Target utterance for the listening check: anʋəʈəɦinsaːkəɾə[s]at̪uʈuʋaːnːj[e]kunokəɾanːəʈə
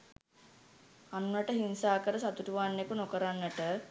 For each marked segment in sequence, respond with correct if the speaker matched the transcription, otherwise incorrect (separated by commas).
correct, correct